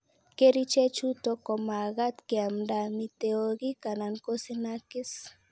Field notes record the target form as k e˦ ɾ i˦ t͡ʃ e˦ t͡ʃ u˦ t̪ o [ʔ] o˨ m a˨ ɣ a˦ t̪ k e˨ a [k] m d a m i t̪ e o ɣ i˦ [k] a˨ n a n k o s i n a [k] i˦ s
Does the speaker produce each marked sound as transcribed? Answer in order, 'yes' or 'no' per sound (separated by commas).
no, no, yes, yes